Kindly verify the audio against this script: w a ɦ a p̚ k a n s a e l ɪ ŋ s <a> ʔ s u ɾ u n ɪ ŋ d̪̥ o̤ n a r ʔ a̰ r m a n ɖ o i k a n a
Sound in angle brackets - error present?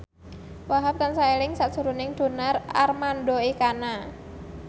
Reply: no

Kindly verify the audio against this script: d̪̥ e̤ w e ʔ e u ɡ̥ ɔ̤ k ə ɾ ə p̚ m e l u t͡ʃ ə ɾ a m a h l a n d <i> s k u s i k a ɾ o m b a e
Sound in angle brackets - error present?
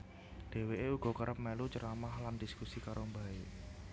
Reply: no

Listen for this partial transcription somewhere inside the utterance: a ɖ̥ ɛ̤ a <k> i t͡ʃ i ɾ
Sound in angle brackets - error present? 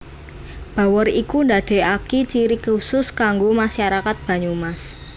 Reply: no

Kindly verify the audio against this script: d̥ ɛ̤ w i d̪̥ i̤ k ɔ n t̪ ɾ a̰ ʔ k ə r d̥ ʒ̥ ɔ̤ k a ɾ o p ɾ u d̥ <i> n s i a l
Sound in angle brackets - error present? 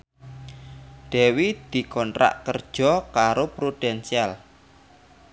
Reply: yes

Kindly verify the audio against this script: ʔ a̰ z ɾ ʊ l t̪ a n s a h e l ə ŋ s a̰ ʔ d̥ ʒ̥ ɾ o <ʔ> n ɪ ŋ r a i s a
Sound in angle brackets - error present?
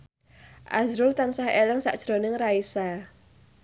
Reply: yes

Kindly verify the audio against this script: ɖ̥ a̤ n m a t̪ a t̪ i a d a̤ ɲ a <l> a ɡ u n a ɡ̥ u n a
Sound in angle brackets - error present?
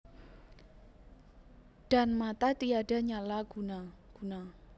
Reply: no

